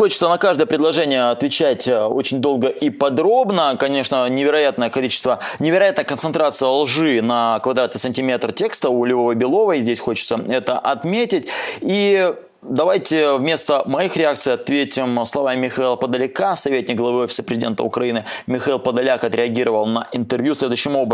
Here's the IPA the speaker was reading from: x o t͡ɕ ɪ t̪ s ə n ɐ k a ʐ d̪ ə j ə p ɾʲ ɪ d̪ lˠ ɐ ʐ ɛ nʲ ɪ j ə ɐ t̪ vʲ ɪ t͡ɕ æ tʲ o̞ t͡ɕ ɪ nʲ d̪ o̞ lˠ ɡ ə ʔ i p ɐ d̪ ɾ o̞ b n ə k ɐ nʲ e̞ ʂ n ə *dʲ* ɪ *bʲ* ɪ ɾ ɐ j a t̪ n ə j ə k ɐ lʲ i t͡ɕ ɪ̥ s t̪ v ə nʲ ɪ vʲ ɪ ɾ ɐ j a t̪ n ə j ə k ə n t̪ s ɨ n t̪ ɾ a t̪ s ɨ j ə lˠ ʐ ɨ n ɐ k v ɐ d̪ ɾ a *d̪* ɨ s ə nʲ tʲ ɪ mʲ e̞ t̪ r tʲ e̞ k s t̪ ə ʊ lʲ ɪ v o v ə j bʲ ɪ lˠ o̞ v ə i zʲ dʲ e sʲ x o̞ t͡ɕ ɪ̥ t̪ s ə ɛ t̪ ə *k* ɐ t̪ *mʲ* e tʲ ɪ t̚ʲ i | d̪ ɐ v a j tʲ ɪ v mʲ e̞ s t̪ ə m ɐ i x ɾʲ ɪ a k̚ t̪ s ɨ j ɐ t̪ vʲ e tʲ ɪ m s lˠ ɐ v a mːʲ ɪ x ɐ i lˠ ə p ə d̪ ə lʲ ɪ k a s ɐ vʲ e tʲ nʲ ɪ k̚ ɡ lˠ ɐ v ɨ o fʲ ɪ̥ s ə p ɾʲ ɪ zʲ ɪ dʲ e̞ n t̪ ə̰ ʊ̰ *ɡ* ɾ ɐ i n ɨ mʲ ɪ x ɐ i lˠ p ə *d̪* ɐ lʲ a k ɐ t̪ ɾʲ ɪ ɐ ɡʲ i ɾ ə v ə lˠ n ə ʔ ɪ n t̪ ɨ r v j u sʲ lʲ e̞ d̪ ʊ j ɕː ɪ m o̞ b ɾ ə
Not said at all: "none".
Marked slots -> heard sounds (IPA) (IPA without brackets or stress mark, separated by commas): nʲ, vʲ, t̪, ʔ, mʲ, k, d̪